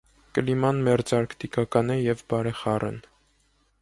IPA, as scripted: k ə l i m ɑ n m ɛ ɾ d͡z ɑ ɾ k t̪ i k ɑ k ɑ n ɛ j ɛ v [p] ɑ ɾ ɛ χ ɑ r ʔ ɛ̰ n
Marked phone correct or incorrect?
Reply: incorrect